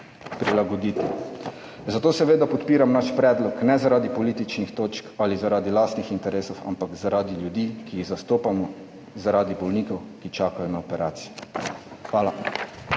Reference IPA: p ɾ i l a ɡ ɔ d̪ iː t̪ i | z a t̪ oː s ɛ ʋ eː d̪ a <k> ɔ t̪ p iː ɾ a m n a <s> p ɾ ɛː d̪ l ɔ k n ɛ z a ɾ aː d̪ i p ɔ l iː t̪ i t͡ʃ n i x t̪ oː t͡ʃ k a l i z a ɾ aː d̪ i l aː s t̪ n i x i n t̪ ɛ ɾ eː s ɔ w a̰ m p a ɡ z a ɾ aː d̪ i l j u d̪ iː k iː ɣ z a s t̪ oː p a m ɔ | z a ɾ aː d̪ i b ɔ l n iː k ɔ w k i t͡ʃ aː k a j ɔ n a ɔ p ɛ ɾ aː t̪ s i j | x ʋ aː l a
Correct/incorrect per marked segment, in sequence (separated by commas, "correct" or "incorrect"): incorrect, incorrect